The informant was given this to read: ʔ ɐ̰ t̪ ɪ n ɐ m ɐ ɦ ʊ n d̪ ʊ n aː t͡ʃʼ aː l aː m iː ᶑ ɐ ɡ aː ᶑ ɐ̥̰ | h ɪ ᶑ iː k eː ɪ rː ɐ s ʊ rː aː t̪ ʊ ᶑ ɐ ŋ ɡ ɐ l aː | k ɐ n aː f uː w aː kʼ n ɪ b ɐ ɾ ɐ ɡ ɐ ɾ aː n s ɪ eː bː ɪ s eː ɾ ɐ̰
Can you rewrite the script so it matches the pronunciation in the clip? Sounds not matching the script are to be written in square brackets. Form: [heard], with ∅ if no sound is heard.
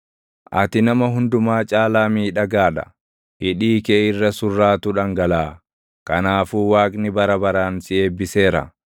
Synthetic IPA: ʔ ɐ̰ t̪ ɪ n ɐ m ɐ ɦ ʊ n d̪ ʊ [m] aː t͡ʃʼ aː l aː m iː ᶑ ɐ ɡ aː ᶑ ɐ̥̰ | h ɪ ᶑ iː k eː ɪ rː ɐ s ʊ rː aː t̪ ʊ ᶑ ɐ ŋ ɡ ɐ l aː | k ɐ n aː f uː w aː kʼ n ɪ b ɐ ɾ ɐ [b] ɐ ɾ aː n s ɪ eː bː ɪ s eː ɾ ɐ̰